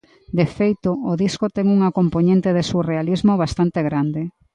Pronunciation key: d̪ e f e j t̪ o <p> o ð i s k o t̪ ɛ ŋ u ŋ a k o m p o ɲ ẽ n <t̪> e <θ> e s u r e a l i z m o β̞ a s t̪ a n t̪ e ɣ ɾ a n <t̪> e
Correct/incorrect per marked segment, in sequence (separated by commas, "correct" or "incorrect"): incorrect, correct, incorrect, incorrect